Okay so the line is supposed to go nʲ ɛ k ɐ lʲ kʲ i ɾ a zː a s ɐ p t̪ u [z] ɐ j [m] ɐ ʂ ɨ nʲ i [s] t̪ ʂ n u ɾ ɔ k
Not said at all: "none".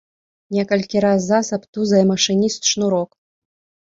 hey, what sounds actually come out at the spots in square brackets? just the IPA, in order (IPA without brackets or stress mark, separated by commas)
z, m, s